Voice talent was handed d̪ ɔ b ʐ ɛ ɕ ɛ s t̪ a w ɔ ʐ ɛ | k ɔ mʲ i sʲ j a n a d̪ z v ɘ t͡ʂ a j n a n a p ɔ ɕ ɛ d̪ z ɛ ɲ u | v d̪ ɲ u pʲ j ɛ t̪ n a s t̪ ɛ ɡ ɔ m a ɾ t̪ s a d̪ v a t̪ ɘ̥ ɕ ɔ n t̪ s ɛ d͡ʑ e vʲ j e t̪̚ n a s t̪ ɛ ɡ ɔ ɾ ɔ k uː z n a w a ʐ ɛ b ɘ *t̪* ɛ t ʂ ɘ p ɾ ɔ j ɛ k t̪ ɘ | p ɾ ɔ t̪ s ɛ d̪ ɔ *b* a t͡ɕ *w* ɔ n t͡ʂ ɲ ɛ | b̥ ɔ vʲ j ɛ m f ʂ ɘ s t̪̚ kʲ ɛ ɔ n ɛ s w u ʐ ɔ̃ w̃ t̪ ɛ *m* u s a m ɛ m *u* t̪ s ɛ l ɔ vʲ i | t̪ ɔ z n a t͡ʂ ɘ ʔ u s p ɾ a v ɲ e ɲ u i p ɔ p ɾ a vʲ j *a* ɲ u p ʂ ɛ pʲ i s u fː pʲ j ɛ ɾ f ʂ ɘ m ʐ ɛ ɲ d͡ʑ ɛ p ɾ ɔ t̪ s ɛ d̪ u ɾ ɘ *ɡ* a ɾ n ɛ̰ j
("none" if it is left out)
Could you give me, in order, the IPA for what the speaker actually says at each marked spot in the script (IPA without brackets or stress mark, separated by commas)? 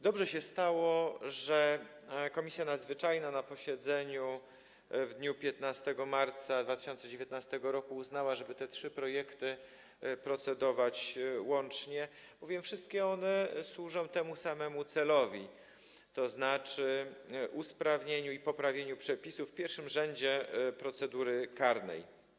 t̪, v, w, m, u, e, k